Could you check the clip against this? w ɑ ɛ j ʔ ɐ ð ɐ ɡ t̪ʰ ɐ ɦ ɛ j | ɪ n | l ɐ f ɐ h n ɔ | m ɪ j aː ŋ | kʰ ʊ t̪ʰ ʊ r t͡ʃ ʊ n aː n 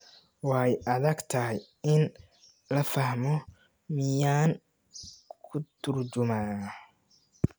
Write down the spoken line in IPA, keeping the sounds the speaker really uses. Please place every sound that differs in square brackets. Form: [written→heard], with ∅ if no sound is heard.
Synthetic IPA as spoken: w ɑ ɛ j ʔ ɐ ð ɐ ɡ t̪ʰ ɐ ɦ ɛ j | ɪ n | l ɐ f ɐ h [n→m] ɔ | m ɪ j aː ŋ | kʰ ʊ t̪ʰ ʊ r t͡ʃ ʊ [n→m] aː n